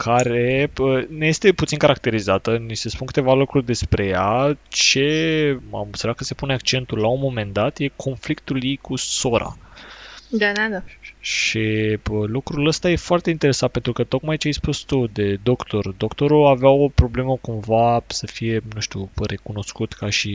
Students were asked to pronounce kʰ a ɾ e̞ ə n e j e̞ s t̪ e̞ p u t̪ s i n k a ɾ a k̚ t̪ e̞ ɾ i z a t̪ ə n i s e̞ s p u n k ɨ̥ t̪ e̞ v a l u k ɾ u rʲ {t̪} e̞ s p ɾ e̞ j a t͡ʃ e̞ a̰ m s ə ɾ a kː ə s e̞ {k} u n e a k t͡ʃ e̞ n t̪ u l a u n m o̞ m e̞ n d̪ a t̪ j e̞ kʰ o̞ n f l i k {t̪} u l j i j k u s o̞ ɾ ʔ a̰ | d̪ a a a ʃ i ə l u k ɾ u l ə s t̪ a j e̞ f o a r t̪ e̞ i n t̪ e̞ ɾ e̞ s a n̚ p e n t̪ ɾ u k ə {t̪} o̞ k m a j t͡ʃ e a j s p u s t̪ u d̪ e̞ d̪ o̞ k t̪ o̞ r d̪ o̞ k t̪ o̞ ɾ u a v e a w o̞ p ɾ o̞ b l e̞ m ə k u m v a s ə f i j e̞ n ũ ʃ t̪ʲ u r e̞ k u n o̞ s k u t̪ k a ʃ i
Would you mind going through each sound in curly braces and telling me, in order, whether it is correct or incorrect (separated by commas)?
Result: incorrect, incorrect, correct, correct